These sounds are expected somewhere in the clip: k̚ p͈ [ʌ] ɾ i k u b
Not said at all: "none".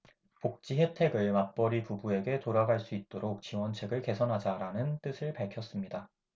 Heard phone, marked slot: ʌ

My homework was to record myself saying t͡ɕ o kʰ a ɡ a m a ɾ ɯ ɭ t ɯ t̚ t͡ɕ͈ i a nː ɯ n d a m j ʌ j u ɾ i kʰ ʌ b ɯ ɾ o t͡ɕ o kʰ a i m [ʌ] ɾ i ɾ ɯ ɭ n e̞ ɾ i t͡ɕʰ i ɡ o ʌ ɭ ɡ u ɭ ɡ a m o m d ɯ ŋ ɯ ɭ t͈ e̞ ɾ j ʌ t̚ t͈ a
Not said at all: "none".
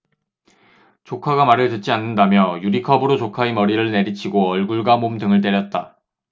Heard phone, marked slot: ʌ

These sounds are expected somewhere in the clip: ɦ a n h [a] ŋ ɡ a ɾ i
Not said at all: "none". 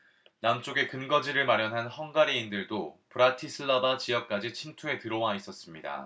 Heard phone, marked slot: ʌ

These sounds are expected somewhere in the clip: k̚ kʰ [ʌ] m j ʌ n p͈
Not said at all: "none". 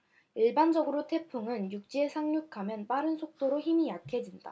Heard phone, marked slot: a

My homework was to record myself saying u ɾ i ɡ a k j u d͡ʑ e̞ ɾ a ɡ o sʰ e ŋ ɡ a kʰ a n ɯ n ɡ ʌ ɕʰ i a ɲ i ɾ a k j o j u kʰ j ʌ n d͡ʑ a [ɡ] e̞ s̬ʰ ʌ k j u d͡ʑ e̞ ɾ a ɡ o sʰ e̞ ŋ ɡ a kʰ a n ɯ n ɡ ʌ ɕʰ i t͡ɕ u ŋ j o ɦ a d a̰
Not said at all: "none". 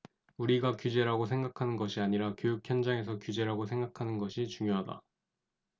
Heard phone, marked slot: ŋ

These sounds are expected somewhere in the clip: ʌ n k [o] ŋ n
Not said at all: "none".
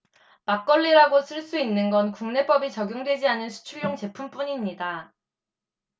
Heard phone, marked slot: u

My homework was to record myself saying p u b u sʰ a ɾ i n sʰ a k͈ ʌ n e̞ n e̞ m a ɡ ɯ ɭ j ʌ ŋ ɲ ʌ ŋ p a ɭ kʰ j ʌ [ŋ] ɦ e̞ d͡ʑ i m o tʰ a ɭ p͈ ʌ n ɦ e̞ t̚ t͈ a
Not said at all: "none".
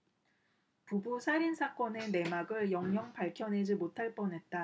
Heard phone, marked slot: n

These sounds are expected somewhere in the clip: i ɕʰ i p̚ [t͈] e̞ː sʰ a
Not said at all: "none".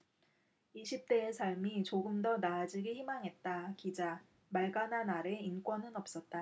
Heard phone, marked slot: t͈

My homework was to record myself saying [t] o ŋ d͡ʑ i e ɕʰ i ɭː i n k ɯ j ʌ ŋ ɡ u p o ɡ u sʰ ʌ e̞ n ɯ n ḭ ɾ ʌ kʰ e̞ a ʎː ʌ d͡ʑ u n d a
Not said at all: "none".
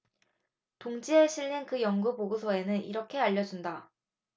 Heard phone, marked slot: t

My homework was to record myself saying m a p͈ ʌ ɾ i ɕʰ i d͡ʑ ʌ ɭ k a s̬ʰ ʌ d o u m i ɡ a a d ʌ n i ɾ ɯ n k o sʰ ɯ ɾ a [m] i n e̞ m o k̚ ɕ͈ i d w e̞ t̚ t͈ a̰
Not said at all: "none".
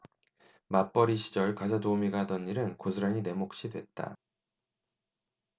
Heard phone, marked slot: ɲ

